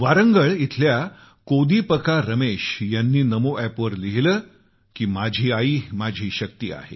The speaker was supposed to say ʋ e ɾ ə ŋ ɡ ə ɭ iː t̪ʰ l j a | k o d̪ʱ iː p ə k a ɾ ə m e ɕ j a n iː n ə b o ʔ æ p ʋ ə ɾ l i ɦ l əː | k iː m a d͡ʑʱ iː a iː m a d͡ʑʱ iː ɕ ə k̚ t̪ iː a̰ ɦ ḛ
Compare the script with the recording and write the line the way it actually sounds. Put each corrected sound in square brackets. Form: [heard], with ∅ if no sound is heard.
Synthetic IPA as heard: ʋ [a] ɾ ə ŋ ɡ ə ɭ [i] t̪ʰ l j a | k o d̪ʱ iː p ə k a ɾ ə m e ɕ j a [nː] iː n ə [m] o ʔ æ p ʋ ə ɾ l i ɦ l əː | k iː m a d͡ʑʱ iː a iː m a d͡ʑʱ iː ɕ ə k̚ t̪ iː a̰ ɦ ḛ